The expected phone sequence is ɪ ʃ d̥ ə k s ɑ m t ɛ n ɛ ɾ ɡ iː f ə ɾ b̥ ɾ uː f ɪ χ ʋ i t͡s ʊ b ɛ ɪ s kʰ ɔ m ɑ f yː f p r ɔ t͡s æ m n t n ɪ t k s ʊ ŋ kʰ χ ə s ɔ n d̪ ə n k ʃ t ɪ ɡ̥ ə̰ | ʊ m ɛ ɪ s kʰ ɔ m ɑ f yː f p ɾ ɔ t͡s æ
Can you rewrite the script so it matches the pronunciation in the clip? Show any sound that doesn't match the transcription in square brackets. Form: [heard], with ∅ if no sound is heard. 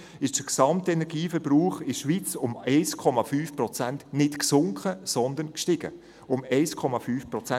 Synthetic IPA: ɪ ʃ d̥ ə k s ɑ m t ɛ n ɛ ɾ ɡ iː f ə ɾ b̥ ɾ uː [χ] ɪ [ʃ] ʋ i t͡s ʊ [m] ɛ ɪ s kʰ ɔ m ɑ f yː f p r ɔ t͡s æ [∅] n t n ɪ t k s ʊ ŋ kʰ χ ə s ɔ n d̪ ə n k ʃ t ɪ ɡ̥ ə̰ | ʊ m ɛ ɪ s kʰ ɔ m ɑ f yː f p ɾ ɔ t͡s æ

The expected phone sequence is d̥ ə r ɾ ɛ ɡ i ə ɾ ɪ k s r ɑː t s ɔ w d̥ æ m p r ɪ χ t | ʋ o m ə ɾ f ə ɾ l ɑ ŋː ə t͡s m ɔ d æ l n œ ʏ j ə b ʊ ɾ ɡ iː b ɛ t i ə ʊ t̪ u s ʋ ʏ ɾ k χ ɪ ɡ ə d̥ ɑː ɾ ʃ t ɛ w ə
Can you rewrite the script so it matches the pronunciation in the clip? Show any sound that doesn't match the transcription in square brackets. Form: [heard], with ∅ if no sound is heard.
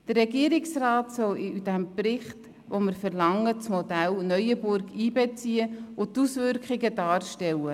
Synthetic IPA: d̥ ə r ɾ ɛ ɡ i ə ɾ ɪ k s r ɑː t s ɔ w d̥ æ m p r ɪ χ t | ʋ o m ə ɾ f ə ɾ l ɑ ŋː ə t͡s m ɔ d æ l n œ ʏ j ə b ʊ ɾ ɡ iː b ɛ [t͡s] i ə ʊ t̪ u s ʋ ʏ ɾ k χ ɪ ɡ ə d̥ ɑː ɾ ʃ t ɛ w ə

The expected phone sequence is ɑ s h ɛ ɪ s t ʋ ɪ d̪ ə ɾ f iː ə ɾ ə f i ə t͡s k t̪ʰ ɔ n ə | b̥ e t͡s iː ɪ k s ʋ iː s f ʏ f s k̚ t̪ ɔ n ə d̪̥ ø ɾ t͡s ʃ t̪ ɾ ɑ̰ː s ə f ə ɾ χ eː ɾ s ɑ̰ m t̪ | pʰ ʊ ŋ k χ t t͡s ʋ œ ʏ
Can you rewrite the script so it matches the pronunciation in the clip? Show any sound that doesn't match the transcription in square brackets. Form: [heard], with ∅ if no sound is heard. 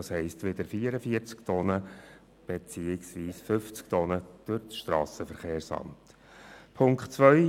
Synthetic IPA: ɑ s h ɛ ɪ s t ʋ ɪ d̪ ə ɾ f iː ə ɾ ə f i ə t͡s k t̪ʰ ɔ n ə | b̥ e t͡s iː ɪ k s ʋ iː s f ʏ f [t͡s] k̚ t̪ ɔ n ə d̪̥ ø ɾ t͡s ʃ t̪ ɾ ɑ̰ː s ə f ə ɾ χ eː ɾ s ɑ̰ m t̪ | pʰ ʊ ŋ k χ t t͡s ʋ œ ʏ

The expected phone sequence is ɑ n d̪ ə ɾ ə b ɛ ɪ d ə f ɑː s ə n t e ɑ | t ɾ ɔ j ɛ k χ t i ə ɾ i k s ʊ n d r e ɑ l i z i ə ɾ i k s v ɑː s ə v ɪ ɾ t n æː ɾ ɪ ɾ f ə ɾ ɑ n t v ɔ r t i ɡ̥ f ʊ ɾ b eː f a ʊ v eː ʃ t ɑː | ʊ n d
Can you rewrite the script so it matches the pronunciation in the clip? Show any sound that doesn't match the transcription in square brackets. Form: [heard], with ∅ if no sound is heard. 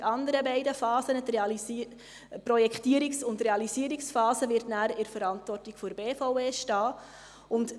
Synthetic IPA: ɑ n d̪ ə ɾ ə b ɛ ɪ d ə f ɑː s ə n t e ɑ | [p] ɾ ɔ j ɛ k χ t i ə ɾ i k s ʊ n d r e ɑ l i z i ə ɾ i k s [f] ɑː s ə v ɪ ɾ t n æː ɾ ɪ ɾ f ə ɾ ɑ n t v ɔ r t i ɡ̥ f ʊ ɾ b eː f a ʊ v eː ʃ t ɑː | ʊ n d

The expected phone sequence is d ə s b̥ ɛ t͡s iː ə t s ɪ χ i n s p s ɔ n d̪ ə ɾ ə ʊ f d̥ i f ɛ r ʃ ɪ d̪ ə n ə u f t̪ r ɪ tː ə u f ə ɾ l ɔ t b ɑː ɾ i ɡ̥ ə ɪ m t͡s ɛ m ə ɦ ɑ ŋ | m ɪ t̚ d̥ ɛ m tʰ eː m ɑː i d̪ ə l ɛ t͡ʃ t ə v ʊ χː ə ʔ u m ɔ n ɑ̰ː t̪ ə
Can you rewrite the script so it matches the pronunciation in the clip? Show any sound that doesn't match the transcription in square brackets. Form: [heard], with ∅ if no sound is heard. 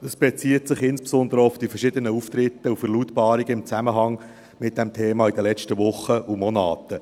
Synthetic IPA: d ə s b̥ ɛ t͡s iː ə t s ɪ χ [ɪ] n s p s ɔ n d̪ ə ɾ ə ʊ f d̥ i f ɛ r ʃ ɪ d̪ ə n ə u f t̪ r ɪ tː ə u f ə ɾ l [u] t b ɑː ɾ i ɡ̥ ə ɪ m t͡s [æ] m ə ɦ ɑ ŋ | m ɪ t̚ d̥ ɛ m tʰ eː m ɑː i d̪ ə l ɛ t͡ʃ t ə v ʊ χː ə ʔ u m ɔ n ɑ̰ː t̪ ə

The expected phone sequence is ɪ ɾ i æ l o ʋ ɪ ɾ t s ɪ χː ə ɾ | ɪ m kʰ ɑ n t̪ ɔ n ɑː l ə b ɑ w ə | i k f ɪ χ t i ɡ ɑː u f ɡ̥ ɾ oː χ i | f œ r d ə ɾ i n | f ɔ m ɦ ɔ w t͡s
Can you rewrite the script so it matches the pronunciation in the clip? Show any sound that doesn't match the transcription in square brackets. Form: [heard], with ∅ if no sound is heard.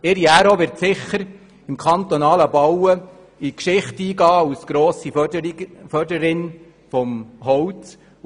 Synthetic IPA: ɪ ɾ i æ [ɾ] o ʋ ɪ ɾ t s ɪ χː ə ɾ | ɪ m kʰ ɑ n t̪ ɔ n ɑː l ə b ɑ w ə | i k [ʃ] ɪ χ t [iː] ɡ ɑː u [s] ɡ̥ ɾ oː [s] i | f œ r d ə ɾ [ɪ] n | f ɔ m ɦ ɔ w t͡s

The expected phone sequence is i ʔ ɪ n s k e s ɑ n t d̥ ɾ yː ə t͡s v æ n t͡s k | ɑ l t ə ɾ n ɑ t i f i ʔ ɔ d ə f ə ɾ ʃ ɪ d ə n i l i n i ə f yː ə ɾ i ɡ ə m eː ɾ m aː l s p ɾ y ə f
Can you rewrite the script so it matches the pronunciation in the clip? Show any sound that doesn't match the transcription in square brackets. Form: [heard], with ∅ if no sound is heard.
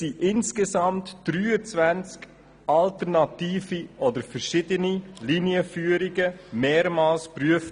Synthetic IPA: i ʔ ɪ n s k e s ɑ [m] t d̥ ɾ yː ə t͡s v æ n t͡s k | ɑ l t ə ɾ n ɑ t [iː] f i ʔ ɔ d ə f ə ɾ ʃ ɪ d ə n i l i n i ə f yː ə ɾ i ɡ ə m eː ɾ m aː l s p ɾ y ə f

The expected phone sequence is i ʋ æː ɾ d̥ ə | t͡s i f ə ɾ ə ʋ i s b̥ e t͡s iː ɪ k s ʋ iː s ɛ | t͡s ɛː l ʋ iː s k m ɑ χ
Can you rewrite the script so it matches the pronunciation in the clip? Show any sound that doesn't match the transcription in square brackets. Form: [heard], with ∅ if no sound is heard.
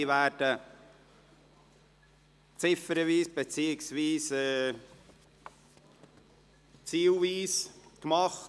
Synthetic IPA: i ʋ æː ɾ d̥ ə | t͡s [ɪ] f ə ɾ ə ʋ [iː] s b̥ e t͡s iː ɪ k s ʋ iː s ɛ | t͡s [iː] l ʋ iː s k m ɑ χ

